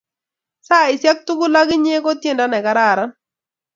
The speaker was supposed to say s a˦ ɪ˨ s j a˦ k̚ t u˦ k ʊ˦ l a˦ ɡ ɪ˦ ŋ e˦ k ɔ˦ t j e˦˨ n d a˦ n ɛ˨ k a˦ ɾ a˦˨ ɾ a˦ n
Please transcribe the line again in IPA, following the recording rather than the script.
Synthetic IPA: s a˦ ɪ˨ s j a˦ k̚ t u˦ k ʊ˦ l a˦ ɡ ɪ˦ ɲ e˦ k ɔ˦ t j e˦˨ n d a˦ n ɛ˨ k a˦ ɾ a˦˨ ɾ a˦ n